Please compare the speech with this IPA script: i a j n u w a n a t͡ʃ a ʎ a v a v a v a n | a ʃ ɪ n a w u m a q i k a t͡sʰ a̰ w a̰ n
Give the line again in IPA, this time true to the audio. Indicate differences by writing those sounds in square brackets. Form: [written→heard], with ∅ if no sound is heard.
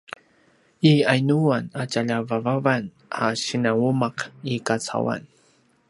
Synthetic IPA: i a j n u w a n a t͡ʃ a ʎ a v a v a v a n | a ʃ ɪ n a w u m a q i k a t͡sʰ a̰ w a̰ n